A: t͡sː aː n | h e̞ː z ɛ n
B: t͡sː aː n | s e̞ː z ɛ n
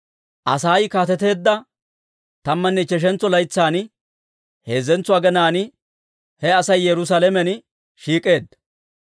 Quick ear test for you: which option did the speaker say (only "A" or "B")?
A